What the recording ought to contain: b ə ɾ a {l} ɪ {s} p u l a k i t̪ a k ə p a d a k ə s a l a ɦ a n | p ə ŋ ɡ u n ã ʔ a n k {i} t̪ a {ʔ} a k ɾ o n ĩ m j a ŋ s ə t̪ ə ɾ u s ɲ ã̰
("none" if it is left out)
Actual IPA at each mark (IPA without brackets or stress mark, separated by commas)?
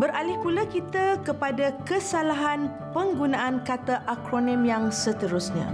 l, h, a, ʔ